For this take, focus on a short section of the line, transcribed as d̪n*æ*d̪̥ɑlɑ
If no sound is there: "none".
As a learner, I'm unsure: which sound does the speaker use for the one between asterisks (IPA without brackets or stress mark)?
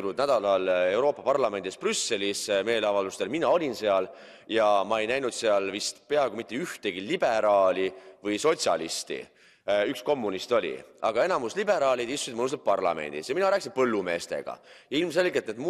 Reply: æ